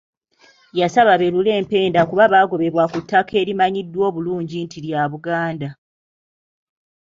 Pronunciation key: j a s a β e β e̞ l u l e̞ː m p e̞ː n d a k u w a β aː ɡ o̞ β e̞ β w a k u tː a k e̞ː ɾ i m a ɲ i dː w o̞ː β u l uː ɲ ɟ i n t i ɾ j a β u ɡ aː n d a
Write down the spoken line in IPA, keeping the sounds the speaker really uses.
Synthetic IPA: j a s a β a β e̞ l u l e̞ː m p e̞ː n d a k u β a β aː ɡ o̞ β e̞ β w a k u tː a k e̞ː ɾ i m a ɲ i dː w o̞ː β u l uː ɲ ɟ i n t i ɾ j a β u ɡ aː n d a